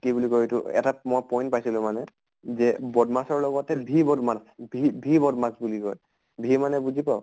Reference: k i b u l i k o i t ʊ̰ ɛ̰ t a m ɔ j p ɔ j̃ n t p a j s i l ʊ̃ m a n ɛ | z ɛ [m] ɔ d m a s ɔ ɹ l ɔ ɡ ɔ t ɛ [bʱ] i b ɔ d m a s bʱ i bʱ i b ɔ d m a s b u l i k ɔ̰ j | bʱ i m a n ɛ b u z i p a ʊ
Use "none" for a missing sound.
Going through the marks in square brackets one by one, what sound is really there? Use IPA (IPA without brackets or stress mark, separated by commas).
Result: b, bʱ